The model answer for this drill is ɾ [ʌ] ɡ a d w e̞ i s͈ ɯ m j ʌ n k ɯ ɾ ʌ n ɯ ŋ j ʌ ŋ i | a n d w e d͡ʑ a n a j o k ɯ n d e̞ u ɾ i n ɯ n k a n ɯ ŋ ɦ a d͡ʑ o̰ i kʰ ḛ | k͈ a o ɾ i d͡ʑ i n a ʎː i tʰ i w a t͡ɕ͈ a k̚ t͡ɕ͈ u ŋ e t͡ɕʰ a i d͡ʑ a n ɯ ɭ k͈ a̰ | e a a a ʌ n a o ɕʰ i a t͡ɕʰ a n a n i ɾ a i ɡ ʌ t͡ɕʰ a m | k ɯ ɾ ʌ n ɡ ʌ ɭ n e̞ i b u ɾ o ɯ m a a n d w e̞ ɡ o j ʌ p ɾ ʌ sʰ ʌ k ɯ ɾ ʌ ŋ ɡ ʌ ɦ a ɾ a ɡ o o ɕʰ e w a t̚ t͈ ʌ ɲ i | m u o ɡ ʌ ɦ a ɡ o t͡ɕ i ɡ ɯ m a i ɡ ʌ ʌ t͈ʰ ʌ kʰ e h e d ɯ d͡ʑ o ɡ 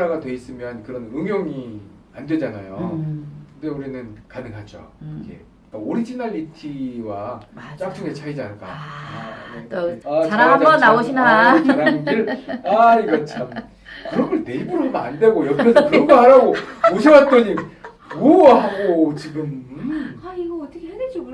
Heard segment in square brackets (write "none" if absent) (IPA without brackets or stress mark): a